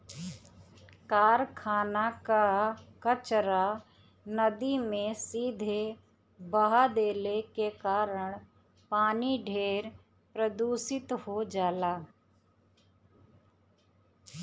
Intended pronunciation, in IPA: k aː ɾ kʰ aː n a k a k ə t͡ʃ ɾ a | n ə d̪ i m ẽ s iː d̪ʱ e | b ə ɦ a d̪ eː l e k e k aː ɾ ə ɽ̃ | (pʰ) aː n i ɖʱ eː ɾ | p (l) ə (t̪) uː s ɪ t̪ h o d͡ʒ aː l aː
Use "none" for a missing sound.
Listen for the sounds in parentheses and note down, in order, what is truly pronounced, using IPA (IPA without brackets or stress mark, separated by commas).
p, ɾ, d̪